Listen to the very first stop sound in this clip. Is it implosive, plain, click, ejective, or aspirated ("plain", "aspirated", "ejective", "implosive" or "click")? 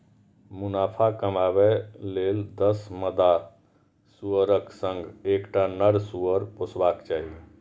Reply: aspirated